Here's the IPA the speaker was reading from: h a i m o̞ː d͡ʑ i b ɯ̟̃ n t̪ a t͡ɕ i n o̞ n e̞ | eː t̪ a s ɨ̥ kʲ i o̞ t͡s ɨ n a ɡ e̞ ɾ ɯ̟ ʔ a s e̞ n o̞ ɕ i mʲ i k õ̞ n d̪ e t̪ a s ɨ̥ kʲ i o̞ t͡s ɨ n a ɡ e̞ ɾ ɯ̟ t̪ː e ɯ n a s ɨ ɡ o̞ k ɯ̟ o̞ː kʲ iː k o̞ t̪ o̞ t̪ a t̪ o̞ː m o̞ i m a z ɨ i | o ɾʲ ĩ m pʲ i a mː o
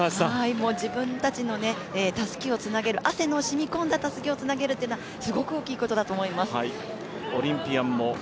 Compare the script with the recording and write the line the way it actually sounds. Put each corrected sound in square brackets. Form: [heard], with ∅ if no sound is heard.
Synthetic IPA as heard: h a i m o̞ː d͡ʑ i b ɯ̟̃ n t̪ a t͡ɕ i n o̞ n e̞ | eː t̪ a s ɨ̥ kʲ i o̞ t͡s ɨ n a ɡ e̞ ɾ ɯ̟ ʔ a s e̞ n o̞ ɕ i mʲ i k õ̞ n d̪ [a] t̪ a s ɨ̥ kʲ i o̞ t͡s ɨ n a ɡ e̞ ɾ ɯ̟ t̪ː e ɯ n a s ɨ ɡ o̞ k ɯ̟ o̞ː kʲ iː k o̞ t̪ o̞ [d̪] a t̪ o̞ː m o̞ i m a [s] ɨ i | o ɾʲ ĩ m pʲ i a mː o